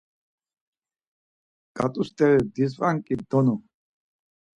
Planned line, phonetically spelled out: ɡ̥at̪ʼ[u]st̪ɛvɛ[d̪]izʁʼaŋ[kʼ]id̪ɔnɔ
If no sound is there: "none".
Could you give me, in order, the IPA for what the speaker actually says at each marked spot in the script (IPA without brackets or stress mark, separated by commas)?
u, d̪, kʼ